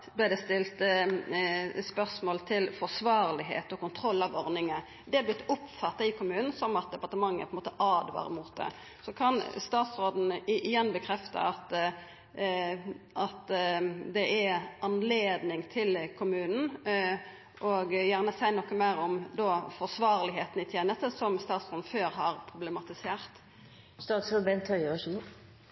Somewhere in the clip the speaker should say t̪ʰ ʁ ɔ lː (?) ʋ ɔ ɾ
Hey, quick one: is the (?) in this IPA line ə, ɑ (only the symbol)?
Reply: ɑ